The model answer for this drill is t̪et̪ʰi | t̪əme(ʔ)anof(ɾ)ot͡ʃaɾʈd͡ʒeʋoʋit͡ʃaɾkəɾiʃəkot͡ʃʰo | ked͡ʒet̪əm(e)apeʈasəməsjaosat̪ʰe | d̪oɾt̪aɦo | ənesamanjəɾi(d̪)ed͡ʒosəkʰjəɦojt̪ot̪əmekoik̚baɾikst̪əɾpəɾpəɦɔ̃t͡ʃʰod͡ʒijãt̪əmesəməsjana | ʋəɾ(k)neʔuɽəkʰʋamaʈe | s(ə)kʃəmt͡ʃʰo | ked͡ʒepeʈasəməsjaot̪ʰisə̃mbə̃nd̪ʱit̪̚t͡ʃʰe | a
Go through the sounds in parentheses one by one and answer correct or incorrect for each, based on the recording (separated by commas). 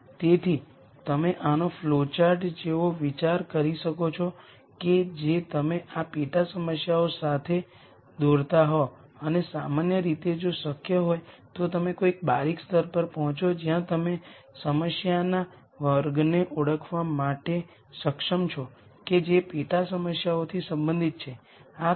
correct, incorrect, correct, incorrect, incorrect, correct